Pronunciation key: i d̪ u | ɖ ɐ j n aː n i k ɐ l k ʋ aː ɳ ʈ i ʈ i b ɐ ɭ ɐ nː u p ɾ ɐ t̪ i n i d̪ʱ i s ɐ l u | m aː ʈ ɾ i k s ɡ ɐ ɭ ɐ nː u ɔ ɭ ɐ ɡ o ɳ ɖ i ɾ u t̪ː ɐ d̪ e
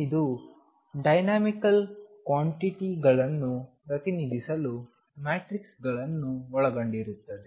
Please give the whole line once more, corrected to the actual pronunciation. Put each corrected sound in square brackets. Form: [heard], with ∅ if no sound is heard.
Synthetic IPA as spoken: i d̪ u | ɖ ɐ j n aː [m] i k ɐ l k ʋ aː ɳ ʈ i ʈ i [ɡ] ɐ ɭ ɐ nː u p ɾ ɐ t̪ i n i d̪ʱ i s ɐ l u | m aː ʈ ɾ i k s ɡ ɐ ɭ ɐ nː u ɔ ɭ ɐ ɡ o ɳ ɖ i ɾ u t̪ː ɐ d̪ e